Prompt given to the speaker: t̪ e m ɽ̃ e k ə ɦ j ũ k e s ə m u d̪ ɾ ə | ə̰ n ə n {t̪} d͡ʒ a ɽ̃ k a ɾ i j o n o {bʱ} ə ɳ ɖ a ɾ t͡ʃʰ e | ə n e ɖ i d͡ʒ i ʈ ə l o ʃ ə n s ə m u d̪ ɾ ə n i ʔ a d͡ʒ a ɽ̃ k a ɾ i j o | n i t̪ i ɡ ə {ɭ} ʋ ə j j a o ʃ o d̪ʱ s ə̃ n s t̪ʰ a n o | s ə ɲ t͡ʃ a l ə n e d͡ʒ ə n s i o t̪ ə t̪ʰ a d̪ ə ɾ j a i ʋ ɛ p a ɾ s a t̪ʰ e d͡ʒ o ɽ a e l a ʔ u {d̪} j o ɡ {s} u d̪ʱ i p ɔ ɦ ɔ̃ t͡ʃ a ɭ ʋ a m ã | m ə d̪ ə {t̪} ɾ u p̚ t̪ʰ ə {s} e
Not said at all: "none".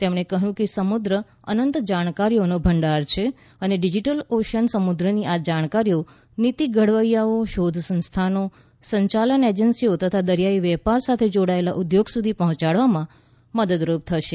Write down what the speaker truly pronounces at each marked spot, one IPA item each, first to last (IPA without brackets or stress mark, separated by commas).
t̪, bʱ, ɽ, d̪, s, d̪, ʃ